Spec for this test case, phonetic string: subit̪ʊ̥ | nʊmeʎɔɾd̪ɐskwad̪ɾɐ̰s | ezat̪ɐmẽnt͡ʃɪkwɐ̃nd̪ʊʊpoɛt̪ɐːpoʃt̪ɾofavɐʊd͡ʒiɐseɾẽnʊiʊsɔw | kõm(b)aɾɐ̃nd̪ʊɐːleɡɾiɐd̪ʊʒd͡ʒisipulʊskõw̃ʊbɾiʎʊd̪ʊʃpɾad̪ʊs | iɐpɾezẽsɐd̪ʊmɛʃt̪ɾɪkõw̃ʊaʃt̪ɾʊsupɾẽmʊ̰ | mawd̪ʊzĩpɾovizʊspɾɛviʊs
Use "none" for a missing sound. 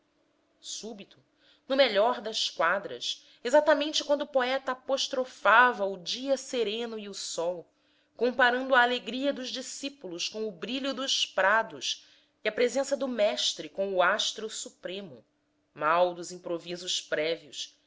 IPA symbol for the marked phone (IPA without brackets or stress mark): p